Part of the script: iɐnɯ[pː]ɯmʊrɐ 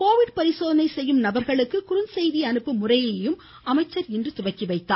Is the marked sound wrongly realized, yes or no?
no